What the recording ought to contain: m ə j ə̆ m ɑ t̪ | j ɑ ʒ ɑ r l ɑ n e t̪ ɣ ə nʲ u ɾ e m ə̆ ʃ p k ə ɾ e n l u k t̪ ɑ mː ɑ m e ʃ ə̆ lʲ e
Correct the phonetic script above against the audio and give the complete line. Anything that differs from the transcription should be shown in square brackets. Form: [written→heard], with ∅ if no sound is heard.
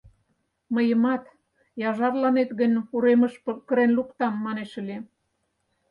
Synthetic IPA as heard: m ə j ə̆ m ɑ t̪ | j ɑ ʒ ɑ r l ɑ n e t̪ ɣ ə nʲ u ɾ e m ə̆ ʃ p k ə ɾ e n l u k t̪ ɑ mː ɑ [m→n] e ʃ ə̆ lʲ e